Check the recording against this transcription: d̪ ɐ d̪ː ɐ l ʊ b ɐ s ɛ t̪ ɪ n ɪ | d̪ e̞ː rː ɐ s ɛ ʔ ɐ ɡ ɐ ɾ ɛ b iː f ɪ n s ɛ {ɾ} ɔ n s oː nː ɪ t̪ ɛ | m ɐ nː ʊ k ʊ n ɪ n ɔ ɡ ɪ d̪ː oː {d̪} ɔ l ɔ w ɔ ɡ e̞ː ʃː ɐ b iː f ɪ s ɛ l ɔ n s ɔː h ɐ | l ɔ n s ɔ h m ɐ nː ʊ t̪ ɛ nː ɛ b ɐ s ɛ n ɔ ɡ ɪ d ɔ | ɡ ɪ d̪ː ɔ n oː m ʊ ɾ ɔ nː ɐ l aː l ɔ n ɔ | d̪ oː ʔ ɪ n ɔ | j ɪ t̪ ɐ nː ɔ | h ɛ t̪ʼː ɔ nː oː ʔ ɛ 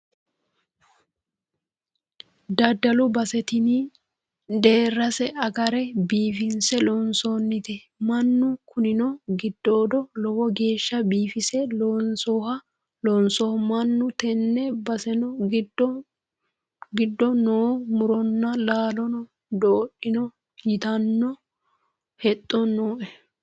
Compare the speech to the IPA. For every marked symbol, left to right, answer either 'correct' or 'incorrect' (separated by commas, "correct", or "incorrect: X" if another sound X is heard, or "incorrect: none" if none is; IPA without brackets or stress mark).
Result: incorrect: l, correct